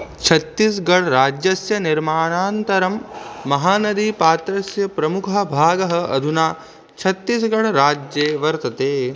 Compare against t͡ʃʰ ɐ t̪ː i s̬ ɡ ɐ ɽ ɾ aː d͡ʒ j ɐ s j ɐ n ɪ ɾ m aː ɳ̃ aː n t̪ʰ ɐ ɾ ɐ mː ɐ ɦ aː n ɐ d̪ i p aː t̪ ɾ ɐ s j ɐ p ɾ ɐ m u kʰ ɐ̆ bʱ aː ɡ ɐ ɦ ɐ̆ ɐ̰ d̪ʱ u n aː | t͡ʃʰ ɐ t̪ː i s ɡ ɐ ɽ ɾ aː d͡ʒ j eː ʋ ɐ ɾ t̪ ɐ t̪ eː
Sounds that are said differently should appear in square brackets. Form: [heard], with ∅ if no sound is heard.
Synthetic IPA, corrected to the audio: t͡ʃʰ ɐ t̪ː i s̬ ɡ ɐ ɽ ɾ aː d͡ʒ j ɐ s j ɐ n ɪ ɾ m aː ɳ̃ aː n [t̪] ɐ ɾ ɐ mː ɐ ɦ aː n ɐ d̪ i p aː t̪ ɾ ɐ s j ɐ p ɾ ɐ m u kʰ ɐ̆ bʱ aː ɡ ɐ ɦ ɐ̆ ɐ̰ d̪ʱ u n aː | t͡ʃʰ ɐ t̪ː i s ɡ ɐ ɽ ɾ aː d͡ʒ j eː ʋ ɐ ɾ t̪ ɐ t̪ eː